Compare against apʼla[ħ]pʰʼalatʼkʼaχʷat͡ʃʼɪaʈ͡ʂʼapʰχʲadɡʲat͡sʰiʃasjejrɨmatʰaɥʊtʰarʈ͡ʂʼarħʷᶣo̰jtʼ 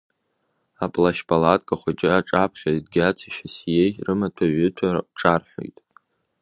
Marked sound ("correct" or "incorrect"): incorrect